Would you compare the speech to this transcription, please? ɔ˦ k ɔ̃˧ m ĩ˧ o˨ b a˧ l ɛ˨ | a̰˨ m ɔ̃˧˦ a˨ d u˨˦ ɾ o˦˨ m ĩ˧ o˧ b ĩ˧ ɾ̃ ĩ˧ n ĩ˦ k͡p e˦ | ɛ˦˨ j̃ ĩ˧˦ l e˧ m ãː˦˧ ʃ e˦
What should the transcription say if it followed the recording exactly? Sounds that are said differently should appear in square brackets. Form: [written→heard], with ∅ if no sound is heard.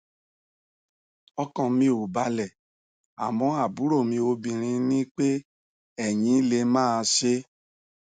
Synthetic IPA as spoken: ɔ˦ k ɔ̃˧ m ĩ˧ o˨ b a˧ l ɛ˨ | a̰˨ m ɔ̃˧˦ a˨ [d→b] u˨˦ ɾ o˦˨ m ĩ˧ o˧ b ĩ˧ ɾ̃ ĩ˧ n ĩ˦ k͡p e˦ | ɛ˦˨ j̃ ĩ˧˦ l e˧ m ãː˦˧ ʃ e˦